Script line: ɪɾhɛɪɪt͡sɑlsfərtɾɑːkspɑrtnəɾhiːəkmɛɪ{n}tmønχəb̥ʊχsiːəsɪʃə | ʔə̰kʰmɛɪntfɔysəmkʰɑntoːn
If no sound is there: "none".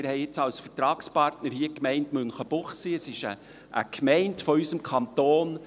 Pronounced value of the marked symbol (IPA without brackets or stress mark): n